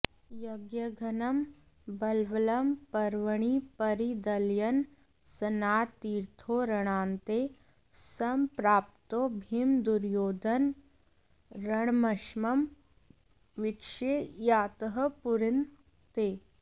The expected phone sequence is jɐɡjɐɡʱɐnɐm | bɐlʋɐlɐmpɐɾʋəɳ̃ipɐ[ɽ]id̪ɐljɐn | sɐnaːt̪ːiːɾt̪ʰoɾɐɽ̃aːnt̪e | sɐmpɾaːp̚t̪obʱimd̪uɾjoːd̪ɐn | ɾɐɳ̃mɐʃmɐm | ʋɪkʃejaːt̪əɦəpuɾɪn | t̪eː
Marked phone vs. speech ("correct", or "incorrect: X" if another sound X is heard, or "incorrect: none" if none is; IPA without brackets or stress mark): incorrect: ɾ